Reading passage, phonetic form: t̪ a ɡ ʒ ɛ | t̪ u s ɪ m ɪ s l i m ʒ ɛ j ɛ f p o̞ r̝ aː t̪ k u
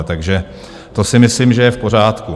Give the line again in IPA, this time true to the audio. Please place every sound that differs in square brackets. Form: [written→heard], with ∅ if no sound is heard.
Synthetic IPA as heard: t̪ a ɡ ʒ ɛ | t̪ [u→o] s ɪ m ɪ s l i m ʒ ɛ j ɛ f p o̞ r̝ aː t̪ k u